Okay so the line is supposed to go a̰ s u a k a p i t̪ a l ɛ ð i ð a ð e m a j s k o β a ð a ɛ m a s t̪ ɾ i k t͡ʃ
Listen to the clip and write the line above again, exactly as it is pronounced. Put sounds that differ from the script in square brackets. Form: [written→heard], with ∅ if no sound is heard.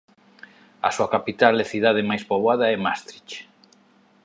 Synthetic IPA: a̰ s u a k a p i t̪ a l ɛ [ð→θ] i ð a ð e m a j s [k→p] o β a ð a ɛ m a s t̪ ɾ i [k→∅] t͡ʃ

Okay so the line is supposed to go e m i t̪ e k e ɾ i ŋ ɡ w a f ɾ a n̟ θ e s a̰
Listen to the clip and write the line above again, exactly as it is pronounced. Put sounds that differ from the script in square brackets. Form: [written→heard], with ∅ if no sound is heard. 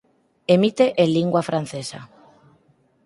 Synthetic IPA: e m i t̪ e [k→ʔ] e [ɾ→l] i ŋ ɡ w a f ɾ a n̟ θ e s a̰

